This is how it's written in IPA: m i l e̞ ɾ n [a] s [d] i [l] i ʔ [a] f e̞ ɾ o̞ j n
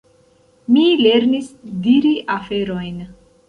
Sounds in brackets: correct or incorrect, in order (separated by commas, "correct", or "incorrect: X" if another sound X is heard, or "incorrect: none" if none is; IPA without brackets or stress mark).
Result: incorrect: i, correct, incorrect: ɾ, correct